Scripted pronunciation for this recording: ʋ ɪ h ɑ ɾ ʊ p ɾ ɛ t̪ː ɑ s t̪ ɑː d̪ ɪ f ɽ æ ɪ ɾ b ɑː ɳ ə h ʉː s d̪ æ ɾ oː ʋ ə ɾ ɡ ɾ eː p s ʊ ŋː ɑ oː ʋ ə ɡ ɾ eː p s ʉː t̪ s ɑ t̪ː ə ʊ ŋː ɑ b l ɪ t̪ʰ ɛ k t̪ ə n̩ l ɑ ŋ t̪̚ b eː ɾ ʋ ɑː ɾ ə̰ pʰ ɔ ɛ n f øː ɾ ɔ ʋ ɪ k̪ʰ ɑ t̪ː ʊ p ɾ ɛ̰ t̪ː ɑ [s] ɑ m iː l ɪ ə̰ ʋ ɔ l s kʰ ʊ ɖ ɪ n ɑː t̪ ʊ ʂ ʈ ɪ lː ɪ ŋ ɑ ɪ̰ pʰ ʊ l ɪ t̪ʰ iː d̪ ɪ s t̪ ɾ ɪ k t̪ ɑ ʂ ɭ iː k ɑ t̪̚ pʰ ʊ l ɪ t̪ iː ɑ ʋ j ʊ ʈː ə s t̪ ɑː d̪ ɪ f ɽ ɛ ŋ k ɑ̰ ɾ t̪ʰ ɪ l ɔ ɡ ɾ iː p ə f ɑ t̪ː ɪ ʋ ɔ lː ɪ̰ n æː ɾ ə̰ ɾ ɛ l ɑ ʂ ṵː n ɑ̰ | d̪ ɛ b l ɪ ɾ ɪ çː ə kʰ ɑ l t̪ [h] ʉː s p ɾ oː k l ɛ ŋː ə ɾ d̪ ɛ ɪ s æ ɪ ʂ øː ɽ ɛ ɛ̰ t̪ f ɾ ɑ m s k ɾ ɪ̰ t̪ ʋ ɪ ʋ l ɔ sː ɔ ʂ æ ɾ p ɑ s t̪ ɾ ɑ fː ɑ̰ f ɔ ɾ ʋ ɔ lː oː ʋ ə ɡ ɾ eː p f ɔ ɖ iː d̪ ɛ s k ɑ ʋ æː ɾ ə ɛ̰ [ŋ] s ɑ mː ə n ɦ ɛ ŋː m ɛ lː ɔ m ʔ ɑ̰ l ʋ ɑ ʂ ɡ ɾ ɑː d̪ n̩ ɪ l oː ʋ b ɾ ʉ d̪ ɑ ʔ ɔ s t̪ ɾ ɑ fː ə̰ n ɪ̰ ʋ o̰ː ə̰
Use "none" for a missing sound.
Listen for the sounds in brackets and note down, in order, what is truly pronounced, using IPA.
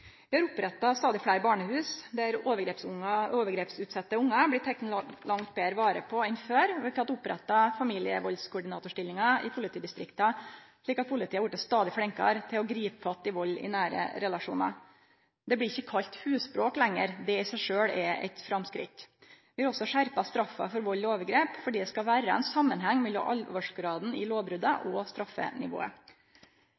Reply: f, h, n

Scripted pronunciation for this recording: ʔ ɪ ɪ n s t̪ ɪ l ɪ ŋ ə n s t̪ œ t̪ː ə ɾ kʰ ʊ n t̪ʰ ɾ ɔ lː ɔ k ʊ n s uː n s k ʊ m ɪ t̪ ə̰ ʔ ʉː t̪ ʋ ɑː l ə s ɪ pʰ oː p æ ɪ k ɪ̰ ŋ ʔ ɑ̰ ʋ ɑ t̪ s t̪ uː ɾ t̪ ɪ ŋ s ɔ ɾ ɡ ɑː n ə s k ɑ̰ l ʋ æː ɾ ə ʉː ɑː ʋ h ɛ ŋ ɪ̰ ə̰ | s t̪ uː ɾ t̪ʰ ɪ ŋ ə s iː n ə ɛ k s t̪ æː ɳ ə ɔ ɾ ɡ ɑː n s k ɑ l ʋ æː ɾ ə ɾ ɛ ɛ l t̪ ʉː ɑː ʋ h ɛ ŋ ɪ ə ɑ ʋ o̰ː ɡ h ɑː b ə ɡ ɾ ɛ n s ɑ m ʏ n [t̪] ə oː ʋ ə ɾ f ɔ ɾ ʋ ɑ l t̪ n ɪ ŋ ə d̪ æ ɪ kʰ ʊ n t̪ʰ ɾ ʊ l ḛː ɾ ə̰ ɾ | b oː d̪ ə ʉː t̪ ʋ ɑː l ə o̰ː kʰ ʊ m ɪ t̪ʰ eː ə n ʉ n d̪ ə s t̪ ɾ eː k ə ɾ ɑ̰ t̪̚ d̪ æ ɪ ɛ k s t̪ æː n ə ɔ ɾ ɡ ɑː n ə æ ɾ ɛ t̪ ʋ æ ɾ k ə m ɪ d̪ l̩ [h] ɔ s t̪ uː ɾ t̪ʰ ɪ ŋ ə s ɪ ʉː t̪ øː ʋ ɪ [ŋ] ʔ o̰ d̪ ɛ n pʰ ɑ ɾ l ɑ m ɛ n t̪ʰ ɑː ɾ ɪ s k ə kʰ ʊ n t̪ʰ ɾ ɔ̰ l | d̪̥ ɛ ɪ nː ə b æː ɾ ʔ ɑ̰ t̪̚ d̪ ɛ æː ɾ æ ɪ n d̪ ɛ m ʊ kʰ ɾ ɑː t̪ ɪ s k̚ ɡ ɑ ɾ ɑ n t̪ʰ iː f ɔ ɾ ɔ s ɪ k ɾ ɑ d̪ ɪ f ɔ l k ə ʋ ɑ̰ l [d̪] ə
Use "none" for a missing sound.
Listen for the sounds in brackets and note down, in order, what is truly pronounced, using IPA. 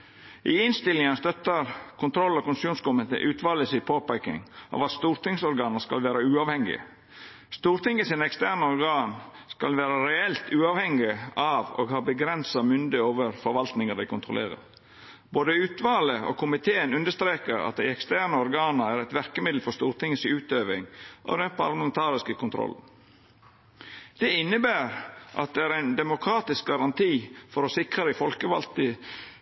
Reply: d̪, f, ŋ, t̪

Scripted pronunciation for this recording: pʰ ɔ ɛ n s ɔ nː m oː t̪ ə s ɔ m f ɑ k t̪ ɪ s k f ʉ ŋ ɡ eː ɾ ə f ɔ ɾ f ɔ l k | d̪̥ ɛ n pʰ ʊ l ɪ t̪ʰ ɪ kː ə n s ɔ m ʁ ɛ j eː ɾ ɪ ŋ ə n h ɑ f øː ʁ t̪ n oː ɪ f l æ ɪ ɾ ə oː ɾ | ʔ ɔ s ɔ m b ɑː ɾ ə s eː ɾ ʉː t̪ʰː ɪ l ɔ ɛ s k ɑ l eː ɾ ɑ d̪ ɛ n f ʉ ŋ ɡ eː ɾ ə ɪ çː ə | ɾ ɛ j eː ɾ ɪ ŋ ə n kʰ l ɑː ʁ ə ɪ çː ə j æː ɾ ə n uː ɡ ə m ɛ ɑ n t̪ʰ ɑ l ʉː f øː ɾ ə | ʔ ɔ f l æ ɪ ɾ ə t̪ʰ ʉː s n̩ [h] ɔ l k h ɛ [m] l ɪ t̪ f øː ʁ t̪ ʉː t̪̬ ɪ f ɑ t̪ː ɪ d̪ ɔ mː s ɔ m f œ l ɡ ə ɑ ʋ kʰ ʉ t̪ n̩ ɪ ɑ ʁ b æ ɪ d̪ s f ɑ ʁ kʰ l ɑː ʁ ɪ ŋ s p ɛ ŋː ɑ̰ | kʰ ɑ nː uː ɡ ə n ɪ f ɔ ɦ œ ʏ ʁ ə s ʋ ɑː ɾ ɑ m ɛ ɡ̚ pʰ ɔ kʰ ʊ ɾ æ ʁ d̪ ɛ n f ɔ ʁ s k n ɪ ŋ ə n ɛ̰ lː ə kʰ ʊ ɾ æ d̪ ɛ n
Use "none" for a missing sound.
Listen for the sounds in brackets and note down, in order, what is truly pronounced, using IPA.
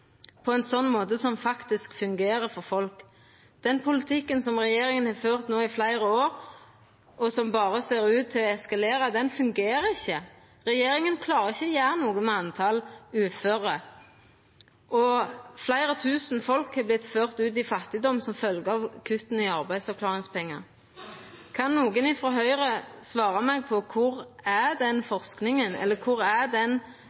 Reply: f, b

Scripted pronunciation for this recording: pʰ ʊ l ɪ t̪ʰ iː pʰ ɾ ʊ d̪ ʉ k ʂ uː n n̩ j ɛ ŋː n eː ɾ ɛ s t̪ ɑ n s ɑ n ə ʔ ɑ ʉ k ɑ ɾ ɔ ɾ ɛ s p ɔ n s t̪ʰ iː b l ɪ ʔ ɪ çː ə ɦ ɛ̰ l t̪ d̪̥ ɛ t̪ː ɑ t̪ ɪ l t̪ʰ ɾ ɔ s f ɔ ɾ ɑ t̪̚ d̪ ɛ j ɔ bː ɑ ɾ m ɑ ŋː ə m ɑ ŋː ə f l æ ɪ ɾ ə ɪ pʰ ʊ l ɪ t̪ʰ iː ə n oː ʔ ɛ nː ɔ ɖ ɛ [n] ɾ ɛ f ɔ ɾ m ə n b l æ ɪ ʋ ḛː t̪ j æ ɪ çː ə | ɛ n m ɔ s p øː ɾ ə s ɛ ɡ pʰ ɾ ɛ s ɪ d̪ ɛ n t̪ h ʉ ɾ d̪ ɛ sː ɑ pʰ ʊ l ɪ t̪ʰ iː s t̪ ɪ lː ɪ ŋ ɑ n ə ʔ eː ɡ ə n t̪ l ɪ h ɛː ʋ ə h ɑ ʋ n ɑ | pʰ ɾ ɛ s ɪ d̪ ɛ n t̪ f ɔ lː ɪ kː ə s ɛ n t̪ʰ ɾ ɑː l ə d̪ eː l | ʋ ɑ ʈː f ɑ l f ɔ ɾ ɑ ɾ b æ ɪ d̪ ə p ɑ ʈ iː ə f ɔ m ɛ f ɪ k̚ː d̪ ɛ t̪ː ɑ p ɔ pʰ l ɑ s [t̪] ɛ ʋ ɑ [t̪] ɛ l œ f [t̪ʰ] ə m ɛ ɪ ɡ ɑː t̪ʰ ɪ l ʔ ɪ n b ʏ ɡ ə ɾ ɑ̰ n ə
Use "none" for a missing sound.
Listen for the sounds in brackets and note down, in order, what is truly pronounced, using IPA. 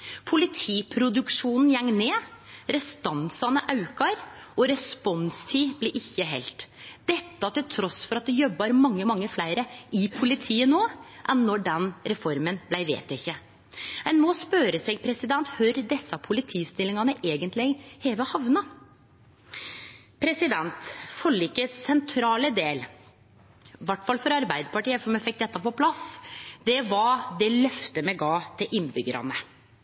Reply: n, d̪, d̪, t̪

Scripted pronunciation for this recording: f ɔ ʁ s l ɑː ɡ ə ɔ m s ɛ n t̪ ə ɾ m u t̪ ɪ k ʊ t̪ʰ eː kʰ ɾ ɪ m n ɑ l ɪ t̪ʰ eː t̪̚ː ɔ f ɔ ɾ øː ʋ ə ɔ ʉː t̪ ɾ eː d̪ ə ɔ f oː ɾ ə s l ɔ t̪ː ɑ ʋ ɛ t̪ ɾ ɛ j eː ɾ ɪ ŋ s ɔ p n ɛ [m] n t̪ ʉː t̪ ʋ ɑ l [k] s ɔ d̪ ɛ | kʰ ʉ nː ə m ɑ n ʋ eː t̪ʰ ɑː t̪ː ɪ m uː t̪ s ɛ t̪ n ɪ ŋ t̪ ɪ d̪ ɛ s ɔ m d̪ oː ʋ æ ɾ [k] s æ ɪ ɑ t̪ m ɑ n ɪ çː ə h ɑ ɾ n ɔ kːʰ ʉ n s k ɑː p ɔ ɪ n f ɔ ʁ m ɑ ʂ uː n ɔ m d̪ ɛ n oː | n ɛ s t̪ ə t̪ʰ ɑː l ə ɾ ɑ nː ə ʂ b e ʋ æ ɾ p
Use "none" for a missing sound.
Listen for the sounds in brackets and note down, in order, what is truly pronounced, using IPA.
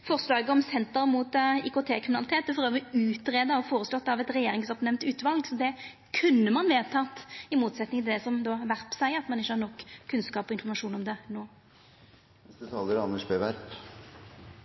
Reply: m, ɡ, p

